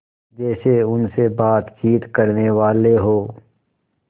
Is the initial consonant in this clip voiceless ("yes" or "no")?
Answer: no